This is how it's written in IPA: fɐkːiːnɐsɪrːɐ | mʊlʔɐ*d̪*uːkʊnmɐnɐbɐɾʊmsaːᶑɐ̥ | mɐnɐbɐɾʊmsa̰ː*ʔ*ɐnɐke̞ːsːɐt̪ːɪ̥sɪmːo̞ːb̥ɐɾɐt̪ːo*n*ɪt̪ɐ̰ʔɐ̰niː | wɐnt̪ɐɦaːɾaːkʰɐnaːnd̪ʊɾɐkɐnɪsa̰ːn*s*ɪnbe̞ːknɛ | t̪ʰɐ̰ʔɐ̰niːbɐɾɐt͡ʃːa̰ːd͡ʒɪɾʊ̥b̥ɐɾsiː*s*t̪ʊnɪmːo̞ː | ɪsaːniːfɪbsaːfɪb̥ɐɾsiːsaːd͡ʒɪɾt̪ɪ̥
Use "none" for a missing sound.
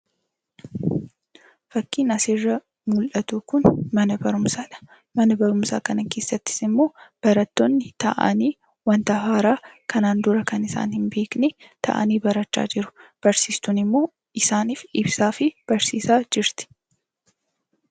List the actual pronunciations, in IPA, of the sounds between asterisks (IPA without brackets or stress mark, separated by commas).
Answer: t̪, k, nː, h, s